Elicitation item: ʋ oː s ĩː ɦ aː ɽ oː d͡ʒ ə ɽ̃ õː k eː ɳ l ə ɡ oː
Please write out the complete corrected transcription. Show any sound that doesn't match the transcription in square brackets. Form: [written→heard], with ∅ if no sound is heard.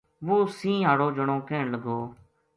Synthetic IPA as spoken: ʋ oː s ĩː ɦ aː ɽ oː d͡ʒ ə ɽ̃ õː k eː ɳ l ə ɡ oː